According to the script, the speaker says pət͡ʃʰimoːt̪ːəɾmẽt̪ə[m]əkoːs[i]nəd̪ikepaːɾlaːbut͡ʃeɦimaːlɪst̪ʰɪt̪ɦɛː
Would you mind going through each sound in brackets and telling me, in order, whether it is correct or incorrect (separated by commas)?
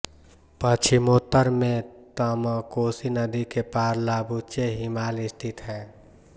correct, correct